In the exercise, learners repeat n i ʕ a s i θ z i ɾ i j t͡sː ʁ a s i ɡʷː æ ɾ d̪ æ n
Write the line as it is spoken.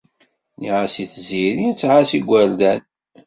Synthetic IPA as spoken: n i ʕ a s i θ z i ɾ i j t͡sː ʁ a s i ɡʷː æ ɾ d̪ æ n